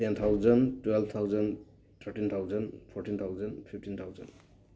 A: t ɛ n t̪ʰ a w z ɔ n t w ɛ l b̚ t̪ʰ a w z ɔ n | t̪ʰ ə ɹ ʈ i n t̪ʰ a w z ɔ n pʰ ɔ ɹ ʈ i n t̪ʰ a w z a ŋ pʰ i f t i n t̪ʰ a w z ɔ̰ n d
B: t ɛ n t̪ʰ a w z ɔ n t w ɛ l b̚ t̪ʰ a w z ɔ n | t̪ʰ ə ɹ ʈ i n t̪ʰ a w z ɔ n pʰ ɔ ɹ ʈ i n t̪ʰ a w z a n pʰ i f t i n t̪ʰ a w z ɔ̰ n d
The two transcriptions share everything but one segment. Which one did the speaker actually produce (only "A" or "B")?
B